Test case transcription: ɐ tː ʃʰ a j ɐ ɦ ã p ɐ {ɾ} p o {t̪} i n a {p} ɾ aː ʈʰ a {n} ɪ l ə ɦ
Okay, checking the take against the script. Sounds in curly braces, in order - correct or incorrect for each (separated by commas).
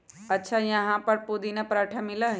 correct, incorrect, correct, incorrect